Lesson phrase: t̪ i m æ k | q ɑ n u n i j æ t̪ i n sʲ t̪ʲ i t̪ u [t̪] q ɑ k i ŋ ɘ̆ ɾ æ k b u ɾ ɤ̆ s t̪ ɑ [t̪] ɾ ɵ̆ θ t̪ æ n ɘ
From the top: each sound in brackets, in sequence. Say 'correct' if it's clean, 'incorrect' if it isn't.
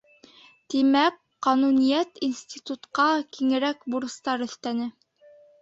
correct, incorrect

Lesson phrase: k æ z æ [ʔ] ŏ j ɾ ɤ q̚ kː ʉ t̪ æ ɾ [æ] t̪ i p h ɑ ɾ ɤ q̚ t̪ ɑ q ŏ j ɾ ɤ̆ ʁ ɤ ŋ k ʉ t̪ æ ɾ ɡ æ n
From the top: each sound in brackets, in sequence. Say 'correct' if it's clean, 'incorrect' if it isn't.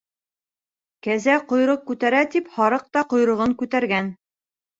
incorrect, correct

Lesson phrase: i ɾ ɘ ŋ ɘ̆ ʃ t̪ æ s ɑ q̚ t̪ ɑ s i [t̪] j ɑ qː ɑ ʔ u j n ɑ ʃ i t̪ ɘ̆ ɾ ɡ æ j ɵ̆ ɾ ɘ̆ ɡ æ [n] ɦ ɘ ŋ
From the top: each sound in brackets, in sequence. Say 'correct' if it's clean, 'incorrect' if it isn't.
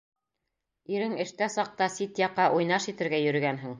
correct, correct

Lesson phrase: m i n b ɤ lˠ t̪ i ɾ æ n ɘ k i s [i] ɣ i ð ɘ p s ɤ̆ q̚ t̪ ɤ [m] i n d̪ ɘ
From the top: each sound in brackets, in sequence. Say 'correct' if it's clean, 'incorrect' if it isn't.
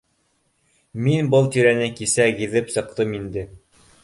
incorrect, correct

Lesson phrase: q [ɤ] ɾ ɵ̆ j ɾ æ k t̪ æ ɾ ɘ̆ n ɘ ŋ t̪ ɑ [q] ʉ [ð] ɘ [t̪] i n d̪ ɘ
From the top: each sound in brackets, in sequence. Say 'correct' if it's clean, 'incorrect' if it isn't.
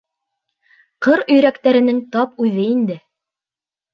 correct, incorrect, correct, incorrect

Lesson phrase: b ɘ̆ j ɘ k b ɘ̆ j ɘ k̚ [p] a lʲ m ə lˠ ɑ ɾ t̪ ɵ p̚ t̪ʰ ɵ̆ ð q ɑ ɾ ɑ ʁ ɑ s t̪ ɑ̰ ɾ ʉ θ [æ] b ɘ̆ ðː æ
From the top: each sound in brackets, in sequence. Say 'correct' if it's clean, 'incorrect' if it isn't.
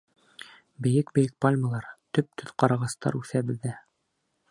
correct, correct

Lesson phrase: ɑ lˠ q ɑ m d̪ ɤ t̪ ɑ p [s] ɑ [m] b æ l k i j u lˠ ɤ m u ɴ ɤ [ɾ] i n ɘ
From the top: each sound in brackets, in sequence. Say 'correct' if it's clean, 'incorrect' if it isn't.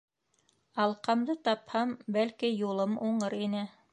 incorrect, correct, correct

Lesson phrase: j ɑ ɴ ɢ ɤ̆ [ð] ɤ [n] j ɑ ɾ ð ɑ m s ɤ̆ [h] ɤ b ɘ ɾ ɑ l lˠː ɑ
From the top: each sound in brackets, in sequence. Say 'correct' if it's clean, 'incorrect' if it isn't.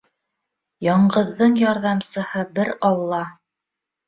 incorrect, incorrect, correct

